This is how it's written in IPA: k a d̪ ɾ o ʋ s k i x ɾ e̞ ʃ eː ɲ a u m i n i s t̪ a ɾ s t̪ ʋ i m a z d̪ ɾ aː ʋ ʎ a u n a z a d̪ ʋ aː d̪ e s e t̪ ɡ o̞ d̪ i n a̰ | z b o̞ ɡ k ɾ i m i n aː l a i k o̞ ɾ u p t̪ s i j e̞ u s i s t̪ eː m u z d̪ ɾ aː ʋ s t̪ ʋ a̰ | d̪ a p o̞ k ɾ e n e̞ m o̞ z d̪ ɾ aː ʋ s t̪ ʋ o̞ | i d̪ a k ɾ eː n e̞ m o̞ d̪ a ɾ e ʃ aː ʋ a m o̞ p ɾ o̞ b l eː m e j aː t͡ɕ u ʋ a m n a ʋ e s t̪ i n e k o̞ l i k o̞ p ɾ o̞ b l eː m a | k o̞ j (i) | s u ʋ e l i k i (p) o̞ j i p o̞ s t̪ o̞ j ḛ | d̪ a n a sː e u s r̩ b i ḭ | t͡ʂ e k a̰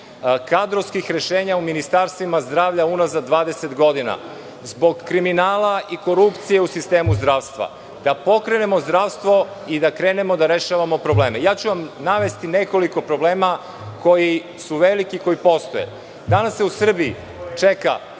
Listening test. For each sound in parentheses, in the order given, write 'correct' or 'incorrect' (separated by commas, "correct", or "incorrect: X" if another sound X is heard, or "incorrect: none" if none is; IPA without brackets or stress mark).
correct, incorrect: k